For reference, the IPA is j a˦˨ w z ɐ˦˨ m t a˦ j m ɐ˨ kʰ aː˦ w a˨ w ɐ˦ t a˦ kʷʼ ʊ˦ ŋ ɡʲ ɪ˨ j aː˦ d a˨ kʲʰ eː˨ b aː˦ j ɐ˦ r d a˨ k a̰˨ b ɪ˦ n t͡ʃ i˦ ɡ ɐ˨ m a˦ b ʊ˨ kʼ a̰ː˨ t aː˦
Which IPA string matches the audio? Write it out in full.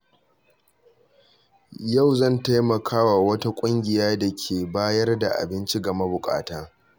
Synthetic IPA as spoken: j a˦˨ w z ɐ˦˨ n t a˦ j m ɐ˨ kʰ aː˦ w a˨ w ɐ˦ t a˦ kʷʼ ʊ˦ ŋ ɡʲ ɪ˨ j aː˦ d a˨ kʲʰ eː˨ b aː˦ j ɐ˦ r d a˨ ʔ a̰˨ b ɪ˦ n t͡ʃ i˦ ɡ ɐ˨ m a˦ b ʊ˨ kʼ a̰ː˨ t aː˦

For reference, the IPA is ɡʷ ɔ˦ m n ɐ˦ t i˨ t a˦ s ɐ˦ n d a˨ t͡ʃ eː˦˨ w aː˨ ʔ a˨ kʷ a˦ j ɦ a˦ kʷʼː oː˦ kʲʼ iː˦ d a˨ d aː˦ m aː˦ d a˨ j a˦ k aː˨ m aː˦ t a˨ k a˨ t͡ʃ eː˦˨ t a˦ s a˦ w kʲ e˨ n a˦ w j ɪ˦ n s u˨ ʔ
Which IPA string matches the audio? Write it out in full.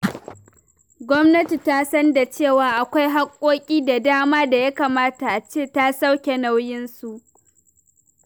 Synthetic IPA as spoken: ɡʷ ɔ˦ m n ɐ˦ t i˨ t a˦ s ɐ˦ n d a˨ t͡ʃ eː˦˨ w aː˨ ʔ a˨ kʷ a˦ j ɦ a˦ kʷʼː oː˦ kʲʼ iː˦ d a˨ d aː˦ m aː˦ d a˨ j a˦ k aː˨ m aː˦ t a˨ ʔ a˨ t͡ʃ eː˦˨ t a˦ s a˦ w kʲ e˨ n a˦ w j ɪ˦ n s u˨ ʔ

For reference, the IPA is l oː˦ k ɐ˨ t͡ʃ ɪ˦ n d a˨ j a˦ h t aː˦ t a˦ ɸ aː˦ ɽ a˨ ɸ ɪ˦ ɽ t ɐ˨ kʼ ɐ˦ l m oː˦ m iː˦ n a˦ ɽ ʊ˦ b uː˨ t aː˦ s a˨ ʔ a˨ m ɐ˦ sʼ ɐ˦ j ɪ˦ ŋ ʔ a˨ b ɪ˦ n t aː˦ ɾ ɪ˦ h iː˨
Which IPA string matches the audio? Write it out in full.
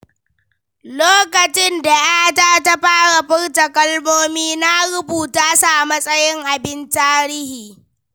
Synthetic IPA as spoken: l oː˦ k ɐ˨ t͡ʃ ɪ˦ n d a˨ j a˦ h t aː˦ t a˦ ɸ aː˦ ɽ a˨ ɸ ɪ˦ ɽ t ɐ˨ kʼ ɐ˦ l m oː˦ m iː˦ n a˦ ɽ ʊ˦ b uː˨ t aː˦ s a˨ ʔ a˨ m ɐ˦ sʼ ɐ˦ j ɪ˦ ŋ ʔ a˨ b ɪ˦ n t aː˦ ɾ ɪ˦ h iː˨

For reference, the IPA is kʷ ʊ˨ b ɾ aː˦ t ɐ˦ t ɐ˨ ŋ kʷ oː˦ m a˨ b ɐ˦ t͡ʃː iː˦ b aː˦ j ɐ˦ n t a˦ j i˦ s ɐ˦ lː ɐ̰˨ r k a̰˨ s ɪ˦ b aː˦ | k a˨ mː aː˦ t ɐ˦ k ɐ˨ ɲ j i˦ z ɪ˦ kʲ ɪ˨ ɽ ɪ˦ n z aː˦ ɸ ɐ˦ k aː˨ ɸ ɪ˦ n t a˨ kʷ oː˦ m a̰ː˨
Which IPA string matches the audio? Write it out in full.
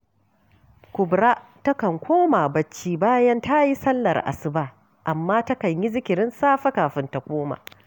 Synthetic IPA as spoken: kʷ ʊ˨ b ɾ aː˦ t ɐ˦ k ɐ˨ ŋ kʷ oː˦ m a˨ b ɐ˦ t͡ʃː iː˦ b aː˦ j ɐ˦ n t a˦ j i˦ s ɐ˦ lː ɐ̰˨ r ʔ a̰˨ s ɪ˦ b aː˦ | ʔ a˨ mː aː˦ t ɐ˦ k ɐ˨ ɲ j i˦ z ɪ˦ kʲ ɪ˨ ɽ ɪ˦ n s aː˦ ɸ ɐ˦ k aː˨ ɸ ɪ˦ n t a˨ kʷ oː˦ m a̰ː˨

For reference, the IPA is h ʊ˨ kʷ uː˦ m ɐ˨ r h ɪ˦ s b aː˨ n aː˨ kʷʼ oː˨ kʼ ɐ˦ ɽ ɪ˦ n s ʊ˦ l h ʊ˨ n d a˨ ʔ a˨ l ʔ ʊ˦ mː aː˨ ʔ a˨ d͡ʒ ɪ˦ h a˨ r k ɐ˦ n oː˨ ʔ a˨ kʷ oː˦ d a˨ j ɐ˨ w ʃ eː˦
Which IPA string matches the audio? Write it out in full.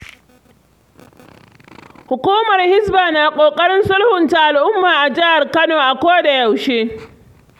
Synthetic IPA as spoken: h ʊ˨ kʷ uː˦ m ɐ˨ r h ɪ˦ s b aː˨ n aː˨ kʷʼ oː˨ kʼ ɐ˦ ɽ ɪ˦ n s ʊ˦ l h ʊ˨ n t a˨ ʔ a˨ l ʔ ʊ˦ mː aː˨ ʔ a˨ d͡ʒ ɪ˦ h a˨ r k ɐ˦ n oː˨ ʔ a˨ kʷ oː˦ d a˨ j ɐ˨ w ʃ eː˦

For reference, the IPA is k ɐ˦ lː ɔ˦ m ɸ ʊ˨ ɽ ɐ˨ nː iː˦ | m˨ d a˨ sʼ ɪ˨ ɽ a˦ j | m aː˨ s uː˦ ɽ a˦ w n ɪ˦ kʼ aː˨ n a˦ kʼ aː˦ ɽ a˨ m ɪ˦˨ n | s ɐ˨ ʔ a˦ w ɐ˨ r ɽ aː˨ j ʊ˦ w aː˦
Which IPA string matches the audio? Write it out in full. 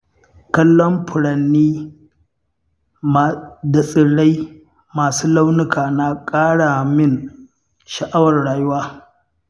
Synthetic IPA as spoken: k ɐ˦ lː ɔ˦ m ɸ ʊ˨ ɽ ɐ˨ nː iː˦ | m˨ d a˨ sʼ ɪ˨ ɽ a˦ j | m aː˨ s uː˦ l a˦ w n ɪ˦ k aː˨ n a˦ kʼ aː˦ ɽ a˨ m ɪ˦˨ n | ʃ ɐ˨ ʔ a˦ w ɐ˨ r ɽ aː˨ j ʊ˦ w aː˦

